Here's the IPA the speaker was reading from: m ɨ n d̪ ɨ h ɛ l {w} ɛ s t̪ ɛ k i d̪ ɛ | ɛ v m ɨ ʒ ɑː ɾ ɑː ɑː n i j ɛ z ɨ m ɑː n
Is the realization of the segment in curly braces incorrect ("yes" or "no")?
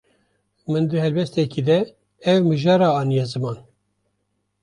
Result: yes